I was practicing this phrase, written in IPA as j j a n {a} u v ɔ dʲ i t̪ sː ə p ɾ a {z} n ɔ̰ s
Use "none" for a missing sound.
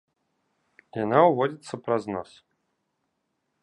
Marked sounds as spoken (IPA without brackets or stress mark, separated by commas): a, z